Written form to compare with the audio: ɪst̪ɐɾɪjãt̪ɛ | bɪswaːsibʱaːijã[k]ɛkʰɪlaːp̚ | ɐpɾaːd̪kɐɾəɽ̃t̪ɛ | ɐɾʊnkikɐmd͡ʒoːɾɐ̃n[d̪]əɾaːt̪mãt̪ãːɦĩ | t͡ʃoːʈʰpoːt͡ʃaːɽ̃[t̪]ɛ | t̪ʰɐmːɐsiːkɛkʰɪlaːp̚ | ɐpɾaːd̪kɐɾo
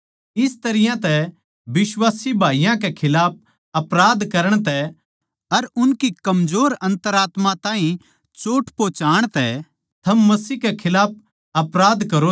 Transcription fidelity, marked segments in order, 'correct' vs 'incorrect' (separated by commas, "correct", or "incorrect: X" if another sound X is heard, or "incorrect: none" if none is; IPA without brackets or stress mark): correct, incorrect: t̪, correct